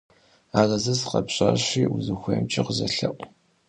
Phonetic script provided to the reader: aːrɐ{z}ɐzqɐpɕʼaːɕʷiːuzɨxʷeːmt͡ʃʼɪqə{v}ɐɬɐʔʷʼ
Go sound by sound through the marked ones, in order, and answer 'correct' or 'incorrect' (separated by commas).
correct, incorrect